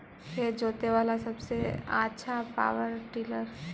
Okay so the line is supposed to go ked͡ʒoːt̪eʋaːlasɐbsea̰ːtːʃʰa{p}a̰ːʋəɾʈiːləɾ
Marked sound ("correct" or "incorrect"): correct